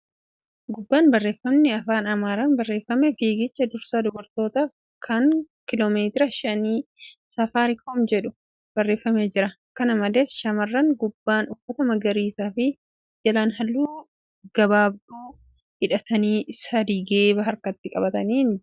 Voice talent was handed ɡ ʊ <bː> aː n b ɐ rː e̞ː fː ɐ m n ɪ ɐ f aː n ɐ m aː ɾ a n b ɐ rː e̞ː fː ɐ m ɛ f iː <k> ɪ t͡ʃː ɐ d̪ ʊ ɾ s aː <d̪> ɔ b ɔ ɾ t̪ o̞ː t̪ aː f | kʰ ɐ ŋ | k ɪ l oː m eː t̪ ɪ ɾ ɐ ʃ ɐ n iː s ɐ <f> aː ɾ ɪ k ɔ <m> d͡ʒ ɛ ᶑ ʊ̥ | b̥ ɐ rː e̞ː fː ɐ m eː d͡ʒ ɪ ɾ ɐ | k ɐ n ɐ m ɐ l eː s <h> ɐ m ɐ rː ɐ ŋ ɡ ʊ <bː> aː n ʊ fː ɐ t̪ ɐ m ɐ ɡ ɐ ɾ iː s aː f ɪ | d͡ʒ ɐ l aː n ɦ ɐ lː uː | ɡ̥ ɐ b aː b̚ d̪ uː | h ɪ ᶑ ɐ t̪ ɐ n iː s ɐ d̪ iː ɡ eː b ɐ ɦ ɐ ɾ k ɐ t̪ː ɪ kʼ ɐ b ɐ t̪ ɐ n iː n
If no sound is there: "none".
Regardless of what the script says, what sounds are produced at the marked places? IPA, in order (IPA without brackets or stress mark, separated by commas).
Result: bː, ɡ, d̪, f, m, ʃ, bː